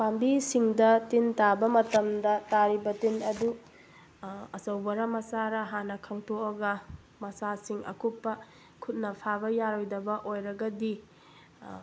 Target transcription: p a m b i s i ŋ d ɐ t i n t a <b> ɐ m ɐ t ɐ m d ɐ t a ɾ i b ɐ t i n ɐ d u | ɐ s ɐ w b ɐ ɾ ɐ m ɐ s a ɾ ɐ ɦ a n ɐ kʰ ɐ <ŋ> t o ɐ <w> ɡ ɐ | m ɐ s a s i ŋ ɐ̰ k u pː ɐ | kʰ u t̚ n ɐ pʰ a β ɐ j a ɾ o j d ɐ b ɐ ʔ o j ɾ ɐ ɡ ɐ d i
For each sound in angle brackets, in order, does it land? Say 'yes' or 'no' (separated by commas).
yes, yes, no